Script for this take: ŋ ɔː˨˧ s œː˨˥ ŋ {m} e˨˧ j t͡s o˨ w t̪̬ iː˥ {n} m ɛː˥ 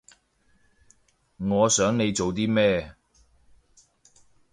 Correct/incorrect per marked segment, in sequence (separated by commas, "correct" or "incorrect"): incorrect, incorrect